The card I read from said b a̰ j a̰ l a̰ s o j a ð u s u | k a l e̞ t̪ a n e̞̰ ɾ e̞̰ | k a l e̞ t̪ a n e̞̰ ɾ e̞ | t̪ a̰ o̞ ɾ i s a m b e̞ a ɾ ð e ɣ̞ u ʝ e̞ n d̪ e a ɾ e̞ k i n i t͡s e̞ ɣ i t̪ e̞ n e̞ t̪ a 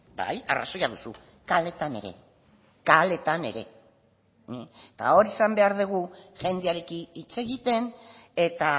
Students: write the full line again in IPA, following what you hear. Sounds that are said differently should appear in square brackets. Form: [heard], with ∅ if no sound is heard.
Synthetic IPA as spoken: b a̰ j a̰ [r] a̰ s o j a ð u s u | k a l e̞ t̪ a n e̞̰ ɾ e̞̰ | k a l e̞ t̪ a n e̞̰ ɾ e̞ | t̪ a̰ o̞ ɾ i s a m b e̞ a ɾ ð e ɣ̞ u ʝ e̞ n d̪ e a ɾ e̞ k i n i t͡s e̞ ɣ i t̪ e̞ n e̞ t̪ a